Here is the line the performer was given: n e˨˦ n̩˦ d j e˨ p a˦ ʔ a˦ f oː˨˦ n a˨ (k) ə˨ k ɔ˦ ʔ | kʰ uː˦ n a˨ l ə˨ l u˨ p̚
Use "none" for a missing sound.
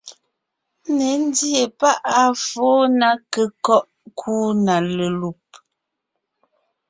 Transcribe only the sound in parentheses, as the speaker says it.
k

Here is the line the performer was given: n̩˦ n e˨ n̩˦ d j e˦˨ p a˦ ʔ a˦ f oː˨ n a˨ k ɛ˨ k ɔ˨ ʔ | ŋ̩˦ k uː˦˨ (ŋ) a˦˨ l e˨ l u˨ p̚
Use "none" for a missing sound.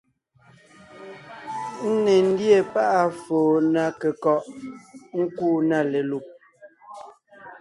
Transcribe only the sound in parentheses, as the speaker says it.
n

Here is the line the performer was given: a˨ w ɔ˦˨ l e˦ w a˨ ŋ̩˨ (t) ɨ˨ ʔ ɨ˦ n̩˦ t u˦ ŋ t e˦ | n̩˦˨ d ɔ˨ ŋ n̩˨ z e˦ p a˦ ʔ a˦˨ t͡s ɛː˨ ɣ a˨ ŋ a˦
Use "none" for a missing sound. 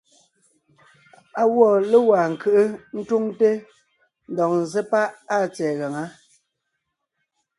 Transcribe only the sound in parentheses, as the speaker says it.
k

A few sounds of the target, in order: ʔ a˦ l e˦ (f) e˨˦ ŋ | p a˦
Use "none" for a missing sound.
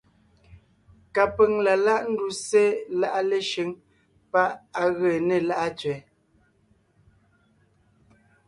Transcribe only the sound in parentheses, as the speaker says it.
ʃ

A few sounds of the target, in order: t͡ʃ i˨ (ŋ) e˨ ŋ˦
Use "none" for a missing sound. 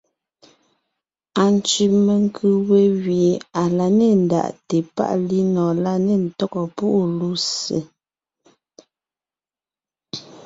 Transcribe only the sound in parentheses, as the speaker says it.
m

